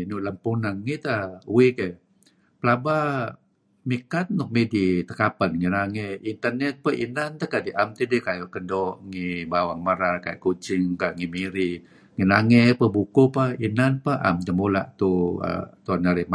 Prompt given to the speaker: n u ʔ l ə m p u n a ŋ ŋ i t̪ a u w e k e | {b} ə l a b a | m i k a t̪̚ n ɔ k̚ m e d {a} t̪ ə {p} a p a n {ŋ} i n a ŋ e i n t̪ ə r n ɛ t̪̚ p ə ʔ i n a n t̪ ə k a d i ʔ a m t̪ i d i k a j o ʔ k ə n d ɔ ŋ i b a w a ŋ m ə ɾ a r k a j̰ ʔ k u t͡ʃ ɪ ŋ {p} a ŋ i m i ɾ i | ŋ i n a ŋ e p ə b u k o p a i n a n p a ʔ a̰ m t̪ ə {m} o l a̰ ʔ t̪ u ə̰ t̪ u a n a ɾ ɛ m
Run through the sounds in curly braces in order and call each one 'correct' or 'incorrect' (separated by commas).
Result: incorrect, incorrect, incorrect, correct, incorrect, correct